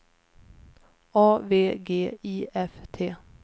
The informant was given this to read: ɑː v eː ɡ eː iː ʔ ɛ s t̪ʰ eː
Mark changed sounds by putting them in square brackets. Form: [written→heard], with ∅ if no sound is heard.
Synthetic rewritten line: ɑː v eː ɡ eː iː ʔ ɛ [s→f] t̪ʰ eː